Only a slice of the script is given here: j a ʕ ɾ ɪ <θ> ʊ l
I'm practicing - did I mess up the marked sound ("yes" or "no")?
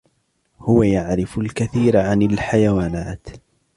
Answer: yes